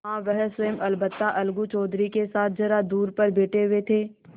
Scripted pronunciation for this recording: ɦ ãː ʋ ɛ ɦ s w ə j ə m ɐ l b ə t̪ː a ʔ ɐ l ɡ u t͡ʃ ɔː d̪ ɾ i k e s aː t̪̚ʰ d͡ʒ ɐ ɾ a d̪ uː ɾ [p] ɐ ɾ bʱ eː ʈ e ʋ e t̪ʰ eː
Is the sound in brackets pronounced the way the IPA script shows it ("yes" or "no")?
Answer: yes